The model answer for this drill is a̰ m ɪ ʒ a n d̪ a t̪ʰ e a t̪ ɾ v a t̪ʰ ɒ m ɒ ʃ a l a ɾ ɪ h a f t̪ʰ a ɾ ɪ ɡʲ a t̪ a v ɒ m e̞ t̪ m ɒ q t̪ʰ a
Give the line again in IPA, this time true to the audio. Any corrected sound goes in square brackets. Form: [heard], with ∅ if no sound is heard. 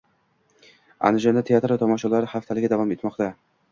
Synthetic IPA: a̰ [n] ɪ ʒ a n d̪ a t̪ʰ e a t̪ ɾ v a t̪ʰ ɒ m ɒ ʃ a l a ɾ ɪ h a f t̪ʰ a [l] ɪ ɡʲ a [d̪] a v ɒ m e̞ t̪ m ɒ q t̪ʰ a